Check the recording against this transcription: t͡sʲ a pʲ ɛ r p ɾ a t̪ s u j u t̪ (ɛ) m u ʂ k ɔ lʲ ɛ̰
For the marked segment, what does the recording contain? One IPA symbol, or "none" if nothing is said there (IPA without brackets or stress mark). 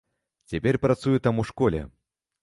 a